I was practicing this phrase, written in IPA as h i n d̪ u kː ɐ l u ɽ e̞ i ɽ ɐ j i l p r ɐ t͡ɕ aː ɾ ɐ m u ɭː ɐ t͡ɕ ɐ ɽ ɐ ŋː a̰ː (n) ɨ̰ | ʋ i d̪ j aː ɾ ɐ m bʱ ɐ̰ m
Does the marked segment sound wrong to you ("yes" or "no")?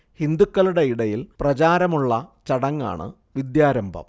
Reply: yes